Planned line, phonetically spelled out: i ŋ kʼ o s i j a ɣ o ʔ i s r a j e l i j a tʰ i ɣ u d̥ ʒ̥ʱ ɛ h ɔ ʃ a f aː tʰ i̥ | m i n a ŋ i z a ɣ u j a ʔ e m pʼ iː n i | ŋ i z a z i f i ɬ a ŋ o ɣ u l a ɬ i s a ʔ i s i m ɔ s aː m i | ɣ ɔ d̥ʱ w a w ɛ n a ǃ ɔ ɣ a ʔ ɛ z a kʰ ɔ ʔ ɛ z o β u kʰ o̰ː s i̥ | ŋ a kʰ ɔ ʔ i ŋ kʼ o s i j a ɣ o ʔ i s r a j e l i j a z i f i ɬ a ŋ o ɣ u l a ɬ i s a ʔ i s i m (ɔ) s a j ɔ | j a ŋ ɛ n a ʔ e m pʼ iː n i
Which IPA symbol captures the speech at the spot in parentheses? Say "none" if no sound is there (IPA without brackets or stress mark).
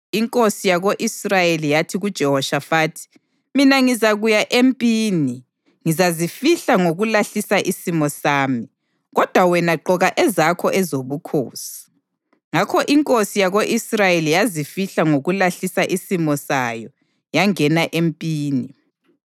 ɔ